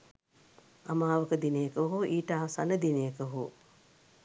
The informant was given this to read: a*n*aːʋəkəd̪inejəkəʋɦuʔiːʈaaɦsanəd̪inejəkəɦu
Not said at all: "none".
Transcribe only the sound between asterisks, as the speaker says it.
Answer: m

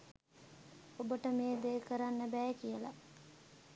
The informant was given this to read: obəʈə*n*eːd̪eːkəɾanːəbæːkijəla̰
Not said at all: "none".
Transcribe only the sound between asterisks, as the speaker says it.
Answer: m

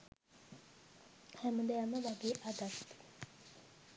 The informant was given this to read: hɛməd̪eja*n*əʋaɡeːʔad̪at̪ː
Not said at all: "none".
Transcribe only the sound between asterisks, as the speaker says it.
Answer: m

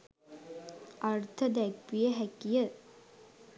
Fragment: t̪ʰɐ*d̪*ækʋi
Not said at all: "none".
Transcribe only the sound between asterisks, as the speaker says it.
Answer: d̪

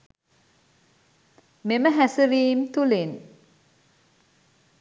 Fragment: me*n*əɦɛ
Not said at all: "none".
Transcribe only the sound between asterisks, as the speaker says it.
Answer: m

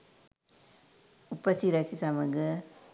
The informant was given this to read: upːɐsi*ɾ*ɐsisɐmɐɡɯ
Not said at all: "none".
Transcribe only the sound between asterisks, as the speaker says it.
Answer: ɾ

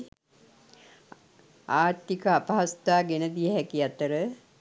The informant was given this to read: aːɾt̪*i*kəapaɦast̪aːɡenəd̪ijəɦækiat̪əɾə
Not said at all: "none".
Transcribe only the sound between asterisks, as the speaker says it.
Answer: i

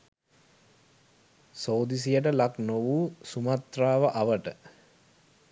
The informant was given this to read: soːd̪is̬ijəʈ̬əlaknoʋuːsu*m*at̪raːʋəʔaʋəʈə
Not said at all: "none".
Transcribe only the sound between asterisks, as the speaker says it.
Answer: m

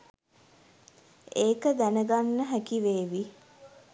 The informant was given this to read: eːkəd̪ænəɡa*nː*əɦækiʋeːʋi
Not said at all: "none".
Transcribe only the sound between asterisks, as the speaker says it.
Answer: nː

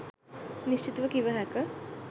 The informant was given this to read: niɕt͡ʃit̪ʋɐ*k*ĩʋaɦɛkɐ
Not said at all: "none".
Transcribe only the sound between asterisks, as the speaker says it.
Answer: k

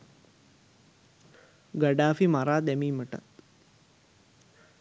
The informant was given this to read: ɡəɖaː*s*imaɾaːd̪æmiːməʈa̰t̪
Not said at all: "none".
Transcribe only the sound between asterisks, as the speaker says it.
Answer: f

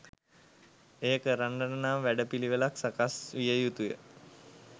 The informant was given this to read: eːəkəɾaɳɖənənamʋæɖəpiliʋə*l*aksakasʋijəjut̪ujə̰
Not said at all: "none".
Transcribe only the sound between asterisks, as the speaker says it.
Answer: l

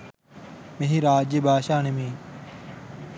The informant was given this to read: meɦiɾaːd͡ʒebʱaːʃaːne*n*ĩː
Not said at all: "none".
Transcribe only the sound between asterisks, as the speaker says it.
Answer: m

